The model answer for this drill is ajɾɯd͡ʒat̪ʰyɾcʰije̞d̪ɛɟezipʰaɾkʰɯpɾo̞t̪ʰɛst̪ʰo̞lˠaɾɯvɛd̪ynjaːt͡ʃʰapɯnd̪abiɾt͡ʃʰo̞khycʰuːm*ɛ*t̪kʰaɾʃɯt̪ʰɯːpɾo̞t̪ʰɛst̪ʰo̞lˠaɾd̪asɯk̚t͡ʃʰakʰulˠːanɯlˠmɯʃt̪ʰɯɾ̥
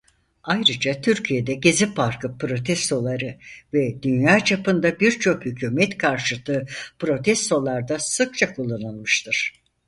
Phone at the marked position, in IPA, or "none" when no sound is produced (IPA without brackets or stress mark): ɛ